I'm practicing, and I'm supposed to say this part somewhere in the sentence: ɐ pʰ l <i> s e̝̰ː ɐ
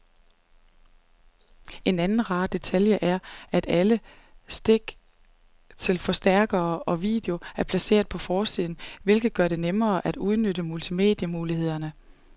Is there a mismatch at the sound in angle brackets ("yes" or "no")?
yes